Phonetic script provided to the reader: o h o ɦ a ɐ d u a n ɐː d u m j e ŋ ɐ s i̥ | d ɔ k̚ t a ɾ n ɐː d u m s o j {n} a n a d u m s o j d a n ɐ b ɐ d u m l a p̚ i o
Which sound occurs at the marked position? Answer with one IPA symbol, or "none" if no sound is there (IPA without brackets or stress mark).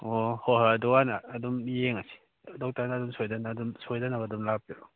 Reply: d